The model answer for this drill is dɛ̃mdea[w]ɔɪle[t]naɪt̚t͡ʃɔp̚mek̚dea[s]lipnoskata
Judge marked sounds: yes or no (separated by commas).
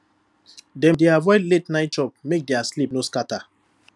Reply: no, yes, yes